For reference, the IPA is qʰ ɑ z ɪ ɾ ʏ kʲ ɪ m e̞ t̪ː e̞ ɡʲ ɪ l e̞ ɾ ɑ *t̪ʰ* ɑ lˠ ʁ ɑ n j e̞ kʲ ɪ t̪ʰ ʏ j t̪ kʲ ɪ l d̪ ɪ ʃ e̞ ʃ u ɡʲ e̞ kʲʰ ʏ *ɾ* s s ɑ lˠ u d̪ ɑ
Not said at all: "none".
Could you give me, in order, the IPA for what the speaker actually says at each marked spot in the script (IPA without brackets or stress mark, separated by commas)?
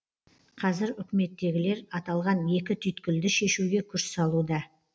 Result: t̪, ɾ